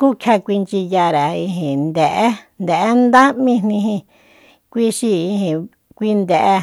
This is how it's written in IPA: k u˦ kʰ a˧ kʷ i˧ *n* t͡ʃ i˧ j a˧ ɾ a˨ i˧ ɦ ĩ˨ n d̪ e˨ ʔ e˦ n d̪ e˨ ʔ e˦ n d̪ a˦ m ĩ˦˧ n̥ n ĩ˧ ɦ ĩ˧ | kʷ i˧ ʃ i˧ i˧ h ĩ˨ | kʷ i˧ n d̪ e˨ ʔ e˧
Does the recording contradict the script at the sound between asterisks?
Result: no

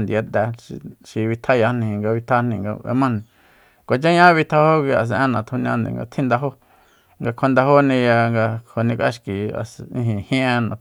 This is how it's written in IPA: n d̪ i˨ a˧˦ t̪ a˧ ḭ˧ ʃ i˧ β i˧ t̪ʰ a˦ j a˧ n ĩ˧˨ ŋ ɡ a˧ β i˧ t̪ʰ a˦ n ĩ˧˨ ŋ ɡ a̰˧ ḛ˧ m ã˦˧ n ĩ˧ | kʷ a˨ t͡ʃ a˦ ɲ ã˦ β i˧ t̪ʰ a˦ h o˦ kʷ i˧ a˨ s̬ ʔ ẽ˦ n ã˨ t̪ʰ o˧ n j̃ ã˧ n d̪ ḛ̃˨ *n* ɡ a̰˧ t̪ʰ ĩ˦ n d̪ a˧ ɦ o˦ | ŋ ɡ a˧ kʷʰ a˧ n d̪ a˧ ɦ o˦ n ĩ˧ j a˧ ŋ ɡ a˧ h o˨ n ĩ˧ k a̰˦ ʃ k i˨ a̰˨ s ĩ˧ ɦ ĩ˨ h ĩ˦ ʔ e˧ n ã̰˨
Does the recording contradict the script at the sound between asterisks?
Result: yes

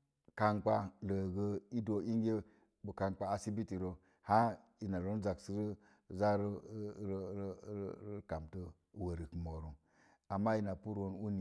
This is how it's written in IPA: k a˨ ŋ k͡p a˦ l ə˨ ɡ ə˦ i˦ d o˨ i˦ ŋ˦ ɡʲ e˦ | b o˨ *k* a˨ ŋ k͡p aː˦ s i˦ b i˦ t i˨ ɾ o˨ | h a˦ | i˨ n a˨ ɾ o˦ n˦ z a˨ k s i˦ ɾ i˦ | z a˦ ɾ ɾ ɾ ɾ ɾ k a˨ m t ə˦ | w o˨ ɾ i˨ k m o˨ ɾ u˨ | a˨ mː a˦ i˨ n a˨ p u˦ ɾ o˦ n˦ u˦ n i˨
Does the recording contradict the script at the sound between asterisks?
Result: no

